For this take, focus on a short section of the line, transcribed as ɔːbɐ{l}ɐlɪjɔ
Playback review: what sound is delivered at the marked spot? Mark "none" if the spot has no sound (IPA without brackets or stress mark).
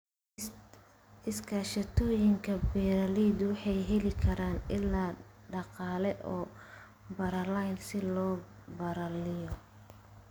ɾ